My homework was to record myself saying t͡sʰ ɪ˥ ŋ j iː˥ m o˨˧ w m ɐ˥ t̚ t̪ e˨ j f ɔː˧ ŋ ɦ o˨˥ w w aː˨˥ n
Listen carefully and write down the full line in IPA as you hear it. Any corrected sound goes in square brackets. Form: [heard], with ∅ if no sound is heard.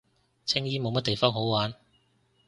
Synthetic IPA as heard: t͡sʰ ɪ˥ ŋ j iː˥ m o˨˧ w m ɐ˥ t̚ t̪ e˨ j f [ɔː˥] ŋ ɦ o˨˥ w w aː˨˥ n